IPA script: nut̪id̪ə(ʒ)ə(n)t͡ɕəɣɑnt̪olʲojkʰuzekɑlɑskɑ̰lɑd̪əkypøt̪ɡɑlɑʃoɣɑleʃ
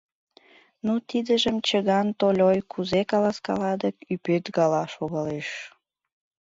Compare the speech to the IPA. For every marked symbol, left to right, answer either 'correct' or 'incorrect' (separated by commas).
correct, incorrect